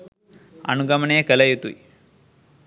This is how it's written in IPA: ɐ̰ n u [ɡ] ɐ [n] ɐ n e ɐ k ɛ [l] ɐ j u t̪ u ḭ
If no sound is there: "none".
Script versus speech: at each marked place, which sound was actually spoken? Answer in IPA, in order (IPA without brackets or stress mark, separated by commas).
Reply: ɡ, m, l